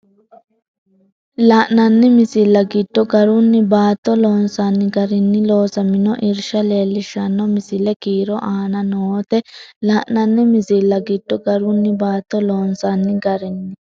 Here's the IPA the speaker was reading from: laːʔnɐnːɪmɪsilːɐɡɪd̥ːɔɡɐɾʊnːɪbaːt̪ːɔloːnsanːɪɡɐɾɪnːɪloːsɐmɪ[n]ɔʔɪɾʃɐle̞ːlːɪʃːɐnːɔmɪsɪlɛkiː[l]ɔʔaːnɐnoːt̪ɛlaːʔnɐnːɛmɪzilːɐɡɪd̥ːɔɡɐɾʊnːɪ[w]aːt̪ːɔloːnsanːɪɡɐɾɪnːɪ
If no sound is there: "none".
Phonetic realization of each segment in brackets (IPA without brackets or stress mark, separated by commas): n, ɾ, b